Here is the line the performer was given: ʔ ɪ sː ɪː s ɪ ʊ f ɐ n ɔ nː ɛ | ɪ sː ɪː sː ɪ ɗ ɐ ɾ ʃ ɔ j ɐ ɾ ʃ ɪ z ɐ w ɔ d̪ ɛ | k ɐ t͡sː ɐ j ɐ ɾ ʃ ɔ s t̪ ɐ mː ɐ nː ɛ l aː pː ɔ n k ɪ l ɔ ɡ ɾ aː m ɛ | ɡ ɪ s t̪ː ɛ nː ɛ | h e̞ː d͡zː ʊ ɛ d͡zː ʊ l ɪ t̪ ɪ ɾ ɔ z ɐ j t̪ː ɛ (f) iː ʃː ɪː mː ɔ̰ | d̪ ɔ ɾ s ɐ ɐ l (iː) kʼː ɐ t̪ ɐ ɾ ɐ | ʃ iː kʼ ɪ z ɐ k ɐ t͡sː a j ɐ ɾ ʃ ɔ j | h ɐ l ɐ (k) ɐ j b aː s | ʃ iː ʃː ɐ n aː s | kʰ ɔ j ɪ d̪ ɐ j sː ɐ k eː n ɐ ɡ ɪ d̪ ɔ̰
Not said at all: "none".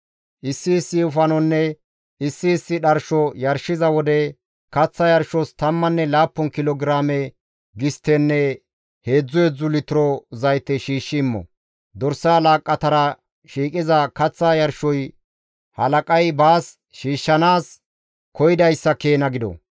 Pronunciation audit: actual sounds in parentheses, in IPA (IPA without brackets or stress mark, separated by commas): ʃ, aː, kʼ